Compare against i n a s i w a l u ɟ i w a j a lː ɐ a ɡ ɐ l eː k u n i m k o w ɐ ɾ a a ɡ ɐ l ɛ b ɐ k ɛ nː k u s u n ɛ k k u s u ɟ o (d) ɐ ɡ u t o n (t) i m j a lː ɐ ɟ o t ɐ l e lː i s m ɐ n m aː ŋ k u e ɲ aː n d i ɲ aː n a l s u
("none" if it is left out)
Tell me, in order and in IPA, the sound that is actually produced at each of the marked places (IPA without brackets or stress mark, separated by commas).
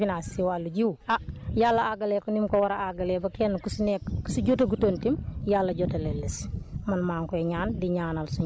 t, t